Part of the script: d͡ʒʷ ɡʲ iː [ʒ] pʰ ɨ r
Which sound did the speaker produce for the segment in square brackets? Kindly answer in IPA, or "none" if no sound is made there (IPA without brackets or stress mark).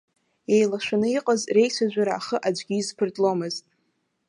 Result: z